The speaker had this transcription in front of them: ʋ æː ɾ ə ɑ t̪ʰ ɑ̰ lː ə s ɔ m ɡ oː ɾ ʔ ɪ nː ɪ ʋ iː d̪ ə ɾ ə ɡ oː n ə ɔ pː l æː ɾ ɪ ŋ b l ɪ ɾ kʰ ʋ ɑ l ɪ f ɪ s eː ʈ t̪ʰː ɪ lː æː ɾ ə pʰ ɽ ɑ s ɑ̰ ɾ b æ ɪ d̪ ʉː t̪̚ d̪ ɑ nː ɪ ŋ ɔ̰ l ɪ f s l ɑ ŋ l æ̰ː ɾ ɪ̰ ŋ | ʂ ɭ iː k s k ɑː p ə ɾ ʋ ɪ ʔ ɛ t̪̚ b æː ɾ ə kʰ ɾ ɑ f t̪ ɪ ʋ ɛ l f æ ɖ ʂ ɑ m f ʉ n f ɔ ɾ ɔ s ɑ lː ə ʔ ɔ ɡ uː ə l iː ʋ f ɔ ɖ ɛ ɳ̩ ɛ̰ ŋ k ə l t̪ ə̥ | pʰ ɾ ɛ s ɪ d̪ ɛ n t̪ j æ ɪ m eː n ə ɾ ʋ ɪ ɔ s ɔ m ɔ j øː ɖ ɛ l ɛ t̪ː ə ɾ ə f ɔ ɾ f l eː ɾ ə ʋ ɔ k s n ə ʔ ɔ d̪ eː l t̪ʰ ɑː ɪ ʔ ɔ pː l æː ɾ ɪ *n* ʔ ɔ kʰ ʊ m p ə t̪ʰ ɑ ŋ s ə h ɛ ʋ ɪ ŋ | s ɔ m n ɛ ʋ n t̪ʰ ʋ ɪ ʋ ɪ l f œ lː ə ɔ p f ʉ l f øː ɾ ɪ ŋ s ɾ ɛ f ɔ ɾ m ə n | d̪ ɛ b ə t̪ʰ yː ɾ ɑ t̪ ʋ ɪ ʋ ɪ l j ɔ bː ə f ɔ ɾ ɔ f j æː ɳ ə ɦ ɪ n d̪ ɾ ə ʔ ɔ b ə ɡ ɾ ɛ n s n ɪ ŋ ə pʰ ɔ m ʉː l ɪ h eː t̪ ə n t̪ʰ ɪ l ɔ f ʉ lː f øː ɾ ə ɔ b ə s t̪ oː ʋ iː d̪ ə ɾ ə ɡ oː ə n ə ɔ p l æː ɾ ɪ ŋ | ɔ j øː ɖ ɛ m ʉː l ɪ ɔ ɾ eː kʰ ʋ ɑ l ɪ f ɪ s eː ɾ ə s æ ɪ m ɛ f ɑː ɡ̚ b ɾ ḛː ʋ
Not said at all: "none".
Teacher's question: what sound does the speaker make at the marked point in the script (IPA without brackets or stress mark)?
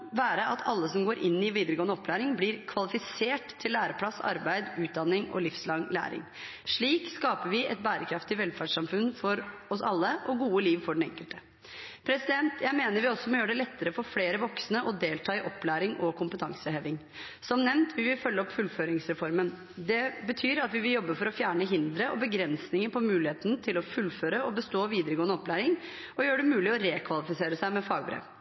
ŋ